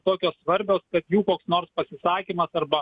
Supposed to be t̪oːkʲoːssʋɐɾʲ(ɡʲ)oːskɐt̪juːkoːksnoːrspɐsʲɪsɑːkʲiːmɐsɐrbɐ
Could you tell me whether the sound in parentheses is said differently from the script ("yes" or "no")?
yes